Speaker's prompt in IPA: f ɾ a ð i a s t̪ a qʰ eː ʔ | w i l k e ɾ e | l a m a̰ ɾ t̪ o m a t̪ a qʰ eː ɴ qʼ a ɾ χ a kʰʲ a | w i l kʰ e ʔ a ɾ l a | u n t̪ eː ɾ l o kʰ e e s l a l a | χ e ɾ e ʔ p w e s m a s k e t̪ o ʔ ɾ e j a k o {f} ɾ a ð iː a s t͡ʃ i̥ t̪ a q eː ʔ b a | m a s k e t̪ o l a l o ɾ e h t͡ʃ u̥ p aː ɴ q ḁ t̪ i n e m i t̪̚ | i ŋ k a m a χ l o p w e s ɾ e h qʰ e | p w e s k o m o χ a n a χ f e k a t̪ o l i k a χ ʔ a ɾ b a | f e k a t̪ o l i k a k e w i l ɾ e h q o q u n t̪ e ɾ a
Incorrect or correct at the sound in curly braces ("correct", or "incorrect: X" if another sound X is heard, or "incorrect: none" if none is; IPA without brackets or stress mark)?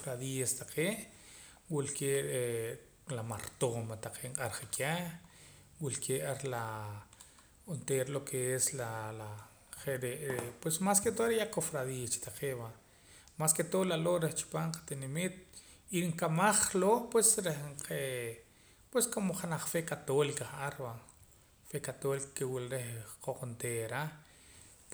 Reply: correct